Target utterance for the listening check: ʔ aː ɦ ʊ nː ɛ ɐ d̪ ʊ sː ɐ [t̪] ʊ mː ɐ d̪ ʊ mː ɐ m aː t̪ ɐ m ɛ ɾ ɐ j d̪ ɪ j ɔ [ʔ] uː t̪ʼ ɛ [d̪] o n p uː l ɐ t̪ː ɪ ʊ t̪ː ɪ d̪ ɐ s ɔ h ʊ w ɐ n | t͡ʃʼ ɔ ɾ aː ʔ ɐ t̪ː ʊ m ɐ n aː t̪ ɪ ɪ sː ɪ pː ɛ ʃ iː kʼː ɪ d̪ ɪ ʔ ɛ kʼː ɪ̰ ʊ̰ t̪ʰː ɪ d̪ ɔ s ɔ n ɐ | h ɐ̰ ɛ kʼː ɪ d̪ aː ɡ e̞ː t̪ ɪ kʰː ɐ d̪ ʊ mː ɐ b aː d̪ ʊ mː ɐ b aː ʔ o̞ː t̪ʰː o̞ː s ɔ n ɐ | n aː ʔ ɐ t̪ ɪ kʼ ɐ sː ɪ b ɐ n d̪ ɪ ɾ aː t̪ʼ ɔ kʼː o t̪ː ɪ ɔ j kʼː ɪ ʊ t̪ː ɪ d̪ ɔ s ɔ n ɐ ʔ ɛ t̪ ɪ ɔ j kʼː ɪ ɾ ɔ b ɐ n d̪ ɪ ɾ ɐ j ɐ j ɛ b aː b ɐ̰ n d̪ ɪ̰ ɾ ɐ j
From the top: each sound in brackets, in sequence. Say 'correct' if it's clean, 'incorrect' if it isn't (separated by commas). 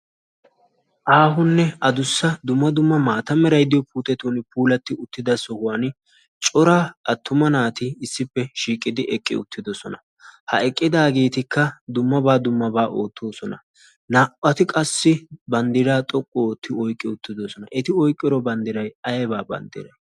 incorrect, incorrect, incorrect